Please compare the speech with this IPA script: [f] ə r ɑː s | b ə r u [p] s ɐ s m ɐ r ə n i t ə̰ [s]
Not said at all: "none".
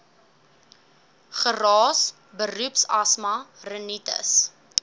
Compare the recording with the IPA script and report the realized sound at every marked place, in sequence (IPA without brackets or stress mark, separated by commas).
χ, p, s